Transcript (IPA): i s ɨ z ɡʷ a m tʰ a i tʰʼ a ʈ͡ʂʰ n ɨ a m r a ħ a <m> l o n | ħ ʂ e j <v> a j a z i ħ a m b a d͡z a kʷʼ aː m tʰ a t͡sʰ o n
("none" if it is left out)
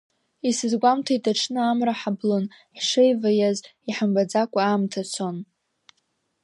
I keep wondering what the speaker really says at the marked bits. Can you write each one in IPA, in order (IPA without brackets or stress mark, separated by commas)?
b, v